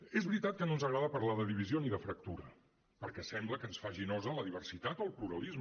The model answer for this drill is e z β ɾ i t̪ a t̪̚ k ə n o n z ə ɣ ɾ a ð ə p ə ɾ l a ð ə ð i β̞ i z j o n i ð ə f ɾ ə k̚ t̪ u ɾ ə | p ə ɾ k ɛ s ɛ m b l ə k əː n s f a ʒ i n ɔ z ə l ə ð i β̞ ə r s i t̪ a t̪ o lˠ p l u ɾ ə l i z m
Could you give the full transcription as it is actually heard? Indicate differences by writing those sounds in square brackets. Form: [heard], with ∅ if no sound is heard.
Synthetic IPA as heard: e z β ɾ i t̪ a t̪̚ k ə n o n z ə ɣ ɾ a ð ə p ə ɾ l a ð ə ð i β̞ i z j o n i ð ə f ɾ ə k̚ t̪ u ɾ ə | p ə ɾ k ɛ s ɛ m b l ə k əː n s f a ʒ i n ɔ z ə l ə ð i β̞ ə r s i t̪ a t̪ o lˠ p l u ɾ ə l i z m

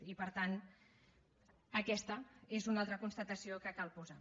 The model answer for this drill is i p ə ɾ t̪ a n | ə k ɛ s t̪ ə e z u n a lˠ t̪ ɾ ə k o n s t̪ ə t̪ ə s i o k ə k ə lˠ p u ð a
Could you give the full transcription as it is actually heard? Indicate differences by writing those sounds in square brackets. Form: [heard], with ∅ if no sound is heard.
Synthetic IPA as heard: i p ə ɾ t̪ a n | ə k ɛ s t̪ ə e z u n a lˠ t̪ ɾ ə k [u] n s t̪ ə t̪ ə s i o k ə k [a] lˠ p u [z] a

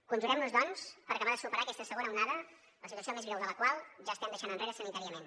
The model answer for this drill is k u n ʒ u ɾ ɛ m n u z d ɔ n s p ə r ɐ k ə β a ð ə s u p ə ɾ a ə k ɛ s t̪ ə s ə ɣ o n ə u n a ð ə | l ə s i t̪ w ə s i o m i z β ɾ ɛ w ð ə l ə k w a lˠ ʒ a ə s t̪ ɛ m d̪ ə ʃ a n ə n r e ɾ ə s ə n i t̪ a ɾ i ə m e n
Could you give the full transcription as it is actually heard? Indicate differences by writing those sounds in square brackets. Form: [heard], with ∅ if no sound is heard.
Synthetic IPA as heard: k u n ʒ u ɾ ɛ m n u z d ɔ n s p ə [ɾ] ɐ k ə β a ð ə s u p ə ɾ a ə k ɛ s t̪ ə s ə ɣ o n ə u n a ð ə | l ə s i t̪ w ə s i o m [e] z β ɾ ɛ w ð ə l ə k w a lˠ ʒ a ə s t̪ ɛ m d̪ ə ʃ a n ə n r e ɾ ə s ə n i t̪ a ɾ i ə m e n

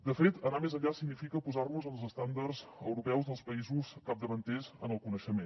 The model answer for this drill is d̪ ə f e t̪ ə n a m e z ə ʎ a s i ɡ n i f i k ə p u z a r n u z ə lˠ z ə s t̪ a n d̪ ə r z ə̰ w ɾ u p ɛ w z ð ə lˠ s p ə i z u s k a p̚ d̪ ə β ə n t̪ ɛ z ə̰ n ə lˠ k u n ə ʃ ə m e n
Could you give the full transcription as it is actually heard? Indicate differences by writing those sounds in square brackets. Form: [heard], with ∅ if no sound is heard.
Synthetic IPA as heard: d̪ ə f e t̪ ə n a m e z ə ʎ a s i ɡ n i f i k ə p u z a r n u z ə lˠ z ə s t̪ a n d̪ ə r z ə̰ w ɾ u p ɛ w z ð ə lˠ s p ə i z u s k a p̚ d̪ ə β ə n t̪ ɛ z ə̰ n ə lˠ k u n ə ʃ ə m e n

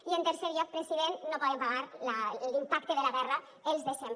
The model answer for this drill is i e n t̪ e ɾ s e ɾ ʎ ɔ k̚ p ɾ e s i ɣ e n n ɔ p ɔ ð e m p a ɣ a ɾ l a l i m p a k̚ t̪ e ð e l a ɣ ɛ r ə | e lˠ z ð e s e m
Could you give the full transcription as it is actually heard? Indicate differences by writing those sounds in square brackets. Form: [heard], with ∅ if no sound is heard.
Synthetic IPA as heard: i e n t̪ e ɾ s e ɾ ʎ ɔ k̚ p ɾ e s i [ð] e n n [o] p ɔ ð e m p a ɣ a ɾ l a l i m p a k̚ t̪ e ð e l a ɣ ɛ r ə | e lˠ z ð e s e m

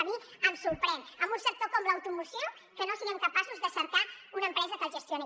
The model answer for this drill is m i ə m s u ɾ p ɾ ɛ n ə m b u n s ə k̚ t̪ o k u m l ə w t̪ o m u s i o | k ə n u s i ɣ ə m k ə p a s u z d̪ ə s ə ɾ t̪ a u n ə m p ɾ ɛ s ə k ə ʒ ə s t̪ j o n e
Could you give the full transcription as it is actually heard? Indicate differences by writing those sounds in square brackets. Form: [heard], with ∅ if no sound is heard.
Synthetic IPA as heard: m i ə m s u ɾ p ɾ ɛ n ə m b u n s ə k̚ t̪ o k [ɔ] m l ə w t̪ [u] m u s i o | k ə n [o] s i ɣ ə m k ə p a s u z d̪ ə s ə ɾ t̪ a u n ə m p ɾ ɛ [z] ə k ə ʒ ə s t̪ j o n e

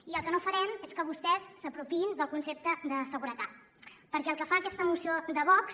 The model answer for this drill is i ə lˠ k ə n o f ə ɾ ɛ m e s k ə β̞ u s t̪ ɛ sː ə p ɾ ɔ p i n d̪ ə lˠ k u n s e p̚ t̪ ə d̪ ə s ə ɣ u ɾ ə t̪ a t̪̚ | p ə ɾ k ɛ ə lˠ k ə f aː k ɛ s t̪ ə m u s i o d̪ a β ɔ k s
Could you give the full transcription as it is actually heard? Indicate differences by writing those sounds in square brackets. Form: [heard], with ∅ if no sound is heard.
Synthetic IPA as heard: i ə lˠ k ə n o f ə ɾ ɛ m e s k ə β̞ u s t̪ ɛ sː ə p ɾ [u] p i n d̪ ə lˠ k u n s e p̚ t̪ ə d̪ ə s ə ɣ u ɾ ə t̪ a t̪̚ | p ə ɾ k ɛ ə lˠ k ə f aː k ɛ s t̪ ə m u s i o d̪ [ə] β ɔ k s

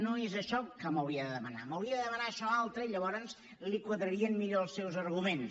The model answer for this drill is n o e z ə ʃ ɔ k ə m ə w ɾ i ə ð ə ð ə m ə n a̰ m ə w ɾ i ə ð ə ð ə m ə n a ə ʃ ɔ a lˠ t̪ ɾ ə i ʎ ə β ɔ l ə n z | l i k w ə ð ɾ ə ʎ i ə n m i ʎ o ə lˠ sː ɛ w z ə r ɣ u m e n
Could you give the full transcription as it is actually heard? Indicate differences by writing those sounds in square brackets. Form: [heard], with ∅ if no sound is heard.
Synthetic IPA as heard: n o e z ə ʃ ɔ k ə m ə w ɾ i ə ð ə ð ə m ə n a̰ m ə w ɾ i ə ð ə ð ə m ə n a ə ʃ ɔ a lˠ t̪ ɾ ə i ʎ ə β ɔ [ɾ] ə n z | l i k w ə ð ɾ ə [ɾ] i ə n m i ʎ o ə lˠ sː ɛ w z ə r ɣ u m e n

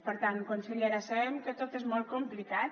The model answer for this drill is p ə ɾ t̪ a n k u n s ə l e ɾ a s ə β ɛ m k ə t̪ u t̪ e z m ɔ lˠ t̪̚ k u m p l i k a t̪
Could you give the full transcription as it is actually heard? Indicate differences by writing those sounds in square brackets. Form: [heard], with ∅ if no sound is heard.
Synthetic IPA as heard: p ə ɾ t̪ a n k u n s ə [ʎ] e ɾ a s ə β ɛ m k ə t̪ [o] t̪ e z m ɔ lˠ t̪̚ k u m p l i k a t̪

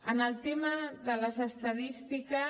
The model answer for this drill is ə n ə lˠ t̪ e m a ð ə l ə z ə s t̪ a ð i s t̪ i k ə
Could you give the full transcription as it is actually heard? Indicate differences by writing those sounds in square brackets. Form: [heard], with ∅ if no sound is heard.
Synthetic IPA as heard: ə n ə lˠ t̪ e m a ð ə l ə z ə s t̪ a ð i s t̪ i k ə

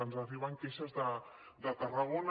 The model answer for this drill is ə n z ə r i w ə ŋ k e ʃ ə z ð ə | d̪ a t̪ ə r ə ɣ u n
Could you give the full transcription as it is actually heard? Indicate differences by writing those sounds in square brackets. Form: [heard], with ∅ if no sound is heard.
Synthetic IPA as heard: ə n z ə r i [β] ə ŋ k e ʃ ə z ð ə | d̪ [ə] t̪ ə r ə ɣ [o] n

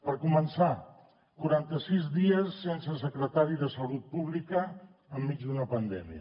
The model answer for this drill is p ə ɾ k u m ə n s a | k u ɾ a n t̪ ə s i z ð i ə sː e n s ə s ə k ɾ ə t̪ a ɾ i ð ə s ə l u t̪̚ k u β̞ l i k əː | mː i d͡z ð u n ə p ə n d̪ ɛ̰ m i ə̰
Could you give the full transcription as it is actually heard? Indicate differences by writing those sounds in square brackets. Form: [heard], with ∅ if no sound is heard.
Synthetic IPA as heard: p ə ɾ k u m ə n s a | k u ɾ a n t̪ ə s i z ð i ə sː e n s ə s ə k ɾ ə t̪ a ɾ i ð ə s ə l u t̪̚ [p] u β̞ l i k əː | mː i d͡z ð u n ə p ə n d̪ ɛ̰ m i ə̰

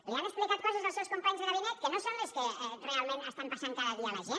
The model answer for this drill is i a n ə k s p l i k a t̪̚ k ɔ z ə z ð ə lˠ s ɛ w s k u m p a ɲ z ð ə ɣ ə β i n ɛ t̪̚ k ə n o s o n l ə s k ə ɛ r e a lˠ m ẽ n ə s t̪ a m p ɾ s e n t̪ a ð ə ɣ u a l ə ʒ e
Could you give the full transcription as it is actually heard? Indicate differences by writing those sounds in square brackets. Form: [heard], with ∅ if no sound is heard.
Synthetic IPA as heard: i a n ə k s p l i k a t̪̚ k ɔ z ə z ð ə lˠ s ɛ w s k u m p a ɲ z ð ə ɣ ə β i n ɛ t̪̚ k ə n o s o n l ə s k ə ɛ r e a lˠ m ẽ n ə s t̪ a m p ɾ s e n t̪ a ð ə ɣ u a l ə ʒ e

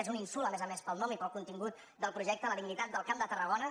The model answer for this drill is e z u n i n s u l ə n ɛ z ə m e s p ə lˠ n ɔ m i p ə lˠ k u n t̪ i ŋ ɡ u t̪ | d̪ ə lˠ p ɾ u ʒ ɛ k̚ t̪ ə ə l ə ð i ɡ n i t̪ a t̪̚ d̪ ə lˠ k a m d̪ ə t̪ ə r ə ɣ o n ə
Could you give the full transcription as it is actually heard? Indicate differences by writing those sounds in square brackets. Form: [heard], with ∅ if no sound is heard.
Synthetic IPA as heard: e z u n i n s u l ə [m] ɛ z ə m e s p ə lˠ n ɔ m i p ə lˠ k u n t̪ i ŋ ɡ u t̪ | d̪ ə lˠ p ɾ u ʒ ɛ k̚ t̪ ə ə l ə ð i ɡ n i t̪ a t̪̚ d̪ ə lˠ k a m d̪ ə t̪ ə r ə ɣ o n ə

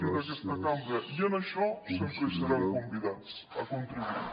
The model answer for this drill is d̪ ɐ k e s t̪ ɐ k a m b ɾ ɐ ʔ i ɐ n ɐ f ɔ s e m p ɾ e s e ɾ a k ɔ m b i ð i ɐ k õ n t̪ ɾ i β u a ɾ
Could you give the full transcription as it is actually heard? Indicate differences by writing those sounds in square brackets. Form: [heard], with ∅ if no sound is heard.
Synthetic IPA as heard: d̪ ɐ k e s t̪ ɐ k a m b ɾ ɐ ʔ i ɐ n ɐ [ʃ] ɔ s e m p ɾ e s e ɾ a k [o] m b i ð [a] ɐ k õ n t̪ ɾ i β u [i] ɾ

